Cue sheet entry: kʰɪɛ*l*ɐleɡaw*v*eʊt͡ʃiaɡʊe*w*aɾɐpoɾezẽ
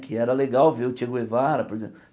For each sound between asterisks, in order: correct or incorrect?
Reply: incorrect: ɾ, correct, incorrect: v

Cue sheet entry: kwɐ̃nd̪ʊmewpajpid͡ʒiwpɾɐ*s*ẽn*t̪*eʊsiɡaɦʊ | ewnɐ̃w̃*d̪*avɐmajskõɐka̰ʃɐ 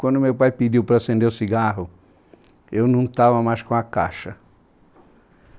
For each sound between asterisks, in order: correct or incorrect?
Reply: correct, incorrect: d̪, incorrect: t̪

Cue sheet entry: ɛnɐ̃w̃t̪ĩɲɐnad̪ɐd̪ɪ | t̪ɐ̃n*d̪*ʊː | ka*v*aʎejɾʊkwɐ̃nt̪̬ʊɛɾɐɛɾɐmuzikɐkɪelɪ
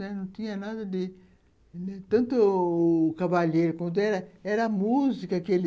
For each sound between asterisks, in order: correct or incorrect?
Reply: incorrect: t̪, correct

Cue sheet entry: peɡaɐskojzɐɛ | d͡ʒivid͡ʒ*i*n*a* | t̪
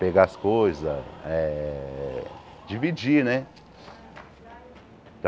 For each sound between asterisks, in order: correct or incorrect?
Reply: correct, incorrect: ɛ

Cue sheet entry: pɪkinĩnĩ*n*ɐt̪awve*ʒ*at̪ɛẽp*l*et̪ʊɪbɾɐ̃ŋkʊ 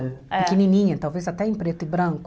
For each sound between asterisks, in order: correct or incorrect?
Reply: incorrect: ɲ, incorrect: z, incorrect: ɾ

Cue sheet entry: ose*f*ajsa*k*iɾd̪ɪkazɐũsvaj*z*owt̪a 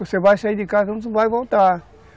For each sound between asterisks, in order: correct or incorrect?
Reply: incorrect: v, incorrect: none, incorrect: v

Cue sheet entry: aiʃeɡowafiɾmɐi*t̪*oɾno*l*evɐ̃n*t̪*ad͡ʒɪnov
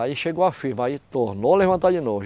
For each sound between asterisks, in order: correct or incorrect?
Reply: correct, correct, correct

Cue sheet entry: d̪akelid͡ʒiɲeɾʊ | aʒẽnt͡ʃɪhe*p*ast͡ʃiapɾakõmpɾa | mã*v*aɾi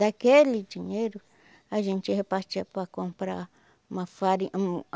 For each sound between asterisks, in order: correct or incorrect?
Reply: correct, incorrect: f

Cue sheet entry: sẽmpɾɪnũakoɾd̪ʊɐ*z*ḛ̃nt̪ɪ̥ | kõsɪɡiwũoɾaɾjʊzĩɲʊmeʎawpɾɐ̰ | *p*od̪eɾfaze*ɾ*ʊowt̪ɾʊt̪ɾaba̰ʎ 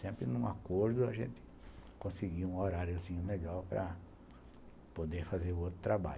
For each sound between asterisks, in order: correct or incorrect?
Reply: incorrect: ʒ, correct, correct

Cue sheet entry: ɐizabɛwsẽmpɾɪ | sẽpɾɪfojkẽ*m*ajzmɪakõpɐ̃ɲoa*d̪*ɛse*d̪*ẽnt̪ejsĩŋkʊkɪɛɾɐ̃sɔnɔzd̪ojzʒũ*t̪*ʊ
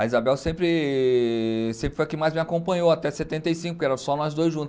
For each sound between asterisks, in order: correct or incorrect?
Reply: correct, incorrect: t̪, incorrect: t̪, correct

